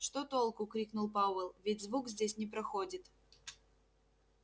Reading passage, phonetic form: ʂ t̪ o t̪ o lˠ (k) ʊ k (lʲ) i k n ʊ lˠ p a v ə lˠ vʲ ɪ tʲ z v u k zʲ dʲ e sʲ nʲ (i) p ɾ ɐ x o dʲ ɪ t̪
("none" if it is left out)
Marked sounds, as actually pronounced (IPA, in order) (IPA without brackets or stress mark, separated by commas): k, ɾʲ, ɪ